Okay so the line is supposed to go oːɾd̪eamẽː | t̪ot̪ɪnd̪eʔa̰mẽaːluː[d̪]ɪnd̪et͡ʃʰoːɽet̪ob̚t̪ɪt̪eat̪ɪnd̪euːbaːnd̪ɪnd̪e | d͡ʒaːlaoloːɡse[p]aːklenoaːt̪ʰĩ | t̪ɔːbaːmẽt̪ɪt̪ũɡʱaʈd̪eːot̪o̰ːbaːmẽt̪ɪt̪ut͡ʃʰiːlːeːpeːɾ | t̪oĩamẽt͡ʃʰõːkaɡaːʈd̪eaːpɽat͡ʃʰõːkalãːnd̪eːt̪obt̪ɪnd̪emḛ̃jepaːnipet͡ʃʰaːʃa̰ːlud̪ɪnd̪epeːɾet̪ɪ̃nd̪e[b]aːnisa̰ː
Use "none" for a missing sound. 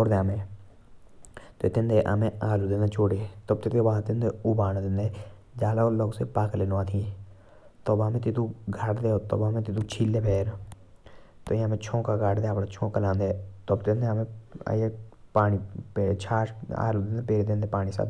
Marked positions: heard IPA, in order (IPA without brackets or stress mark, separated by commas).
d̪, p, p